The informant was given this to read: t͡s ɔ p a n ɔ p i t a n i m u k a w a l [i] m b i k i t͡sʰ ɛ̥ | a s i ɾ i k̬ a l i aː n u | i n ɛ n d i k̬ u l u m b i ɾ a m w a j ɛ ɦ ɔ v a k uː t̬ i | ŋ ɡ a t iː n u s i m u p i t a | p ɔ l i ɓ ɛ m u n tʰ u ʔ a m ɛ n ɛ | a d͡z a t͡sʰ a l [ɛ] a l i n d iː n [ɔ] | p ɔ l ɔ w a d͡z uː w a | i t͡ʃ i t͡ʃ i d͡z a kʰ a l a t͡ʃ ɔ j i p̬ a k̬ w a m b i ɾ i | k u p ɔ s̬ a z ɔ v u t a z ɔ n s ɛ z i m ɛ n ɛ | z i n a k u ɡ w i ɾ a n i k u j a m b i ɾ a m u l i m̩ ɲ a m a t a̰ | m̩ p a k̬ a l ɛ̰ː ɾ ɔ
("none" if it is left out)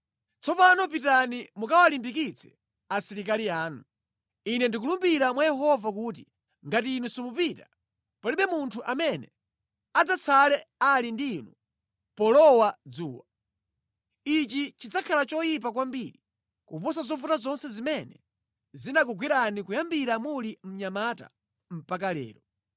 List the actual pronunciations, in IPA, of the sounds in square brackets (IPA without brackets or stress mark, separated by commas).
i, ɛ, u